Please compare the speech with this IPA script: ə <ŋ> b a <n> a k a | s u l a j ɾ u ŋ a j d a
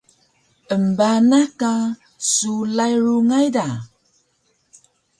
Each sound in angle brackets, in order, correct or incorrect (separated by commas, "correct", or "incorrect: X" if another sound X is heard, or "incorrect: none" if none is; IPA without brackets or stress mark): incorrect: m, correct